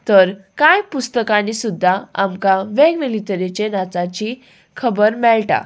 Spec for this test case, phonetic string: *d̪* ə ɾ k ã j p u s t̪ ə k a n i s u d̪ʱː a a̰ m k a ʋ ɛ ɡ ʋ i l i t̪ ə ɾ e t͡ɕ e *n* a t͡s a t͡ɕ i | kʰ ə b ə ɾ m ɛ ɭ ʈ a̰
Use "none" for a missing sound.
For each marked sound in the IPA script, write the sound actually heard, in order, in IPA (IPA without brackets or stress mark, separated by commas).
t̪, n